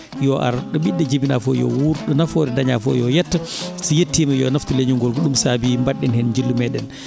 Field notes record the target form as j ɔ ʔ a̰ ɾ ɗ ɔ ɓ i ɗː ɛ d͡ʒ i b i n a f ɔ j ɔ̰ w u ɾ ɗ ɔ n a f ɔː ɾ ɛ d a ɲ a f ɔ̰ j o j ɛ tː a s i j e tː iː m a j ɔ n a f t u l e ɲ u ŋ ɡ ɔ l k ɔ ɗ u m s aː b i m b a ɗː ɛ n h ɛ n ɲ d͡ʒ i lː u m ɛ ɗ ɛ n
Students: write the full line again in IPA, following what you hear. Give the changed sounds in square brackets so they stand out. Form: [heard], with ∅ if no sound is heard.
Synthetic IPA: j ɔ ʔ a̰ ɾ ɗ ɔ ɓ i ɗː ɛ d͡ʒ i b i n a f ɔ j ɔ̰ w u ɾ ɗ ɔ n a f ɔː ɾ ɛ d a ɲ a f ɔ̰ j [ɔ] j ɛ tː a s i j e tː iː m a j ɔ n a f t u l e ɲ u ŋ ɡ ɔ l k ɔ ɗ u m s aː b i m b a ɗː ɛ n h ɛ n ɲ d͡ʒ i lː u m ɛ ɗ ɛ n